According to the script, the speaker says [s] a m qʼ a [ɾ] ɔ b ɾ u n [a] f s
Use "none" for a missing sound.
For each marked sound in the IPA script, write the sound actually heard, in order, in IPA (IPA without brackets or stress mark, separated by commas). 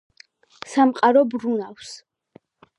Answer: s, ɾ, a